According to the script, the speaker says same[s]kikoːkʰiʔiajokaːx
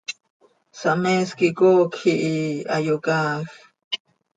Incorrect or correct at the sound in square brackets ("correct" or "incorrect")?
correct